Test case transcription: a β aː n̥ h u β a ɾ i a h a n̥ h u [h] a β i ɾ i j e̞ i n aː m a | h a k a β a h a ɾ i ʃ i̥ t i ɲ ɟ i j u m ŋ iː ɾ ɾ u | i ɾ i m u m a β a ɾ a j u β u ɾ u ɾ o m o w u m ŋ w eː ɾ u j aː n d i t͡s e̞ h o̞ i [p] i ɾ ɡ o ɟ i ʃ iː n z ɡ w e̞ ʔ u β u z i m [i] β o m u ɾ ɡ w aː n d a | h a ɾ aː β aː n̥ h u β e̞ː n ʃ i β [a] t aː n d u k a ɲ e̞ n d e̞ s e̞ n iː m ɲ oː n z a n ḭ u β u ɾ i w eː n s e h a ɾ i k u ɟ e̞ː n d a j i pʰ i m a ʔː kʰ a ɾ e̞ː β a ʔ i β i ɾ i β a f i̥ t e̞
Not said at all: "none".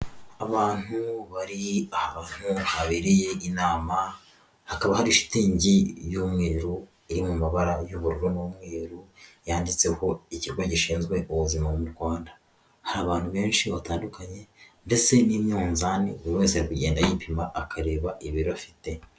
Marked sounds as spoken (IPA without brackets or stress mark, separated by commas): h, c, a, a